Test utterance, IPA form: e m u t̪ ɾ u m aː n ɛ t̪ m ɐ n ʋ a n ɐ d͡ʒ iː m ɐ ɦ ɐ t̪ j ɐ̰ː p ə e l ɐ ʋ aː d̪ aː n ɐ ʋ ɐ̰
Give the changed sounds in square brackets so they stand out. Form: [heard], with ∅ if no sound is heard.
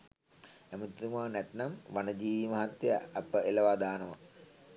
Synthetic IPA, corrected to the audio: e m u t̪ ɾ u m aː n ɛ t̪ [n] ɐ [m] ʋ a n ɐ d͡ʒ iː m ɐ ɦ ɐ t̪ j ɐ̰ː p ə e l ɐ ʋ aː d̪ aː n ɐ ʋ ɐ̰